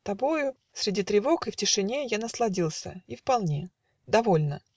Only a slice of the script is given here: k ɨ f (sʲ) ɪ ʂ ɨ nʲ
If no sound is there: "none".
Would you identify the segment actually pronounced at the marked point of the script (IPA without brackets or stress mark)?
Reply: tʲ